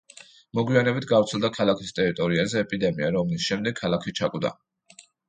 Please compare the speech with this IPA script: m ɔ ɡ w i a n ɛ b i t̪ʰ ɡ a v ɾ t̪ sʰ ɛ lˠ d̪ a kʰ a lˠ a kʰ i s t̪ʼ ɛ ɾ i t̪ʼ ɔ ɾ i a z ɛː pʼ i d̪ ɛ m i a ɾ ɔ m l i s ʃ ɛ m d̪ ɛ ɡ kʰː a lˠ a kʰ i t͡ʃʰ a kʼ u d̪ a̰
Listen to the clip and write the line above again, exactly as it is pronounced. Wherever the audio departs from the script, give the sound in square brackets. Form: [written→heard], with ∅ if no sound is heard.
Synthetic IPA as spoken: m ɔ ɡ w i a n ɛ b i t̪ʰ ɡ a v ɾ t̪ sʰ ɛ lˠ d̪ a kʰ a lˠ a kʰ i s t̪ʼ ɛ ɾ i t̪ʼ ɔ ɾ i a z ɛː pʼ i d̪ ɛ m i a ɾ ɔ m l i s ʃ ɛ m d̪ ɛ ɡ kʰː a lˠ a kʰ i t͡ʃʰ a kʼ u d̪ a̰

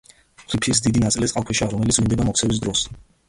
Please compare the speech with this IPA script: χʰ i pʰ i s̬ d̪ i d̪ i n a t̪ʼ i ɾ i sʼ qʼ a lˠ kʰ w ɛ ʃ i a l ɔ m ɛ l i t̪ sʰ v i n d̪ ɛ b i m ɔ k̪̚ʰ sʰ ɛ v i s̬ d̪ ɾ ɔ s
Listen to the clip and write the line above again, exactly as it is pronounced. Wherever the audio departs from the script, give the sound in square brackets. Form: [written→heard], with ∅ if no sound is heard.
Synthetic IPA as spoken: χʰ i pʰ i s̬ d̪ i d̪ i n a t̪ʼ i [ɾ→l] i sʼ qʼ a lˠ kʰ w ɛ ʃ i a [l→ɾ] ɔ m ɛ l i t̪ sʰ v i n d̪ ɛ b [i→a] m ɔ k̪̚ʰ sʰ ɛ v i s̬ d̪ ɾ ɔ s

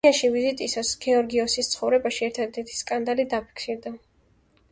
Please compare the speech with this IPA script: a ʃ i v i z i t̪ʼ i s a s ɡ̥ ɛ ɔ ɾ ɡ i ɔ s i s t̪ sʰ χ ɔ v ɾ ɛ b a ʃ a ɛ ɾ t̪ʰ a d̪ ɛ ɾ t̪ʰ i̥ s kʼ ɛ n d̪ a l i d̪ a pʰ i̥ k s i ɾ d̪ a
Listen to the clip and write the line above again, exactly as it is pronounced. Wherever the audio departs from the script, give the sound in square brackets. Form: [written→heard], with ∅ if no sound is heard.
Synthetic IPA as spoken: a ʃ i v i z i t̪ʼ i s a s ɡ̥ ɛ ɔ ɾ ɡ i ɔ s i s t̪ sʰ χ ɔ v ɾ ɛ b a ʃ [a→i] ɛ ɾ t̪ʰ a d̪ ɛ ɾ t̪ʰ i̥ s kʼ [ɛ→a] n d̪ a l i d̪ a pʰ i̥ k s i ɾ d̪ a

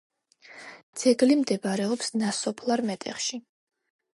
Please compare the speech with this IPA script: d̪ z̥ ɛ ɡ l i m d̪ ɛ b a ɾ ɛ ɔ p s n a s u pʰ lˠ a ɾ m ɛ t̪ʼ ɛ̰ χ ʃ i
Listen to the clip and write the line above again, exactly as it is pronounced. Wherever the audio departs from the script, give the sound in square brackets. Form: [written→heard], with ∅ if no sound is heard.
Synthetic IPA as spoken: d̪ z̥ ɛ ɡ l i m d̪ ɛ b a ɾ ɛ ɔ p s n a s [u→ɔ] pʰ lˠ a ɾ m ɛ t̪ʼ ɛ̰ χ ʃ i

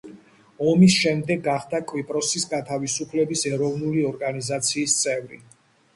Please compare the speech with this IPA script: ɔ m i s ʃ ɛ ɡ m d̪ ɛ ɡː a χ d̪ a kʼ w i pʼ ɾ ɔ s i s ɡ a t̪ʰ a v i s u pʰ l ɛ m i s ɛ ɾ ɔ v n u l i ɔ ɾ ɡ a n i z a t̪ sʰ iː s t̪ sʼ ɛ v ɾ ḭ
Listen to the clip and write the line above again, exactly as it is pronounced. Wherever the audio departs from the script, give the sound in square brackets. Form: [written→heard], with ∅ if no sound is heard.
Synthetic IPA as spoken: ɔ m i s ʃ ɛ [ɡ→∅] m d̪ ɛ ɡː a χ d̪ a kʼ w i pʼ ɾ ɔ s i s ɡ a t̪ʰ a v i s u pʰ l ɛ [m→b] i s ɛ ɾ ɔ v n u l i ɔ ɾ ɡ a n i z a t̪ sʰ iː s t̪ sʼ ɛ v ɾ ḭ

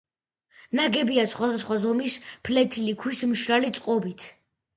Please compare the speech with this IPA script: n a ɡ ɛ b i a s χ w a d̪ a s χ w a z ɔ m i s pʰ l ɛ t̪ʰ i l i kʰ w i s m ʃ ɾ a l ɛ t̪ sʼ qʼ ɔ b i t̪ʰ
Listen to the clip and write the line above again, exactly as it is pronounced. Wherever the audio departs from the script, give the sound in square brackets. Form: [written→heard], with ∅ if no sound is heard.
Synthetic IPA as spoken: n a ɡ ɛ b i a s χ w a d̪ a s χ w a z ɔ m i s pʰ l ɛ t̪ʰ i l i kʰ w i s m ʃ ɾ a l [ɛ→i] t̪ sʼ qʼ ɔ b i t̪ʰ

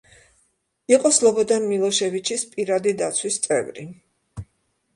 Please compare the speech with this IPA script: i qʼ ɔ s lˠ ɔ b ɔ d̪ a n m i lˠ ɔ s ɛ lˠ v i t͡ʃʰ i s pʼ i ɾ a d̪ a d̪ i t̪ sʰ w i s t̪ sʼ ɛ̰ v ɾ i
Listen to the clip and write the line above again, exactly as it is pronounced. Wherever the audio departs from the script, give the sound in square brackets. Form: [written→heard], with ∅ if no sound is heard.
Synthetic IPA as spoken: i qʼ ɔ s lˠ ɔ b ɔ d̪ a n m i lˠ ɔ [s→ʃ] ɛ [lˠ→∅] v i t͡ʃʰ i s pʼ i ɾ a d̪ [a→i] d̪ [i→a] t̪ sʰ w i s t̪ sʼ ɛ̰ v ɾ i

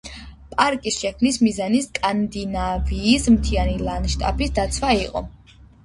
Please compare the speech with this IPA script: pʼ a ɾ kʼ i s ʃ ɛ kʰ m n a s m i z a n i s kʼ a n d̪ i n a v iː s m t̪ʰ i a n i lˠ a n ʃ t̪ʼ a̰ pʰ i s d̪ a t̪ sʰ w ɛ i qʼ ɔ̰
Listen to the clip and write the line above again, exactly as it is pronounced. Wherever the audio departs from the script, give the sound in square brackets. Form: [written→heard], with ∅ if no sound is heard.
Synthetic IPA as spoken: pʼ a ɾ kʼ i s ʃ ɛ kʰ m n [a→i] s m i z a n i s kʼ a n d̪ i n a v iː s m t̪ʰ i a n i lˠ a n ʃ t̪ʼ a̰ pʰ i s d̪ a t̪ sʰ w [ɛ→a] i qʼ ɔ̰

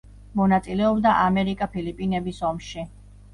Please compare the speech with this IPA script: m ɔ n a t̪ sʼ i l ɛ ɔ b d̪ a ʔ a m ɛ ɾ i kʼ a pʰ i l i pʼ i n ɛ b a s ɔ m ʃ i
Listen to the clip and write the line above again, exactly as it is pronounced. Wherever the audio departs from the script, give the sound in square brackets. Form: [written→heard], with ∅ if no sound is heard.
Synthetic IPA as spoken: m ɔ n a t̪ sʼ i l ɛ ɔ b d̪ a ʔ a m ɛ ɾ i kʼ a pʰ i l i pʼ i n ɛ b [a→i] s ɔ m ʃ i

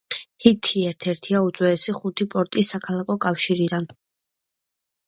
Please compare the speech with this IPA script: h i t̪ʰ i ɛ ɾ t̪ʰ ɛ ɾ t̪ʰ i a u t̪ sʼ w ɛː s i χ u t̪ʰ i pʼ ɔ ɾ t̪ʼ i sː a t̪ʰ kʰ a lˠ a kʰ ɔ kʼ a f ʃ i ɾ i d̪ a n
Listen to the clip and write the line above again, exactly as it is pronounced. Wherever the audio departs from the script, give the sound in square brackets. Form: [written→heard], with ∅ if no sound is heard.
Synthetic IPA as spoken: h i t̪ʰ i ɛ ɾ t̪ʰ ɛ ɾ t̪ʰ i a u t̪ sʼ w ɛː s i χ u t̪ʰ i pʼ ɔ ɾ t̪ʼ i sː a [t̪ʰ→∅] kʰ a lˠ a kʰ ɔ kʼ a f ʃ i ɾ i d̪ a n

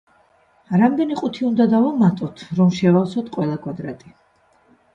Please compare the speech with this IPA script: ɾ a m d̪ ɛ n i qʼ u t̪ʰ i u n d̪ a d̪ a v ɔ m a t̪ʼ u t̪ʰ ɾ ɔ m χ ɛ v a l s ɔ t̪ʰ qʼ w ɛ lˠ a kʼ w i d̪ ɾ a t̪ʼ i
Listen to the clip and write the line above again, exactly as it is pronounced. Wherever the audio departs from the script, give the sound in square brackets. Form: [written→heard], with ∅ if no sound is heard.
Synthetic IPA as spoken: ɾ a m d̪ ɛ n i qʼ u t̪ʰ i u n d̪ a d̪ a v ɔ m a t̪ʼ [u→ɔ] t̪ʰ ɾ ɔ m [χ→ʃ] ɛ v a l s ɔ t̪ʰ qʼ w ɛ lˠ a kʼ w [i→a] d̪ ɾ a t̪ʼ i

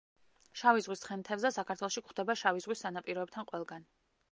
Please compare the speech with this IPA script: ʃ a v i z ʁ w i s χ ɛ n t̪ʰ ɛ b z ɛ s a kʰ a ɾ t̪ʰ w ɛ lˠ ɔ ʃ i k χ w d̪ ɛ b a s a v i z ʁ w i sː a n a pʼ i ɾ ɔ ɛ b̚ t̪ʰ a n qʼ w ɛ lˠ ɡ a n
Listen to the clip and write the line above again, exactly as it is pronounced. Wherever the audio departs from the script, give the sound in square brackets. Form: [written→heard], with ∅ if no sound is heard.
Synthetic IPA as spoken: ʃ a v i z ʁ w i s χ ɛ n t̪ʰ ɛ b z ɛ s a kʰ a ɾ t̪ʰ w ɛ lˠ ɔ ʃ i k χ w d̪ ɛ b a [s→ʃ] a v i z ʁ w i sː a n a pʼ i ɾ ɔ ɛ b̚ t̪ʰ a n qʼ w ɛ lˠ ɡ a n

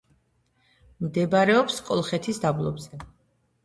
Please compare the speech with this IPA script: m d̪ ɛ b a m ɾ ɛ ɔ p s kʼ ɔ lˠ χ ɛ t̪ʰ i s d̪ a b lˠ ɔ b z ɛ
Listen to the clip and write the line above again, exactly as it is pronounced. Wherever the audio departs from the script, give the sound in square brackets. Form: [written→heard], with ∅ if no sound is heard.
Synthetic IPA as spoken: m d̪ ɛ b a [m→∅] ɾ ɛ ɔ p s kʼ ɔ lˠ χ ɛ t̪ʰ i s d̪ a b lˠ ɔ b z ɛ

